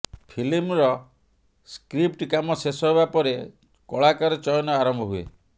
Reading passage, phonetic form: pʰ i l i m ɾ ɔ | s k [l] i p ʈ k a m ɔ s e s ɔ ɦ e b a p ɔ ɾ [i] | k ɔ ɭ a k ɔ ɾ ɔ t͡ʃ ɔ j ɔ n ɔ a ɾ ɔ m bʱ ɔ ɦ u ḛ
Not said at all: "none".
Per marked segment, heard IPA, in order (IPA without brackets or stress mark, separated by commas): ɾ, e